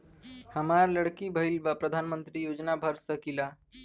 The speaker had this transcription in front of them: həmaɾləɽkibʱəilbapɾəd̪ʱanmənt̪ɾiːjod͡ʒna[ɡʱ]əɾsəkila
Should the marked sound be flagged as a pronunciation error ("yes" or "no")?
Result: yes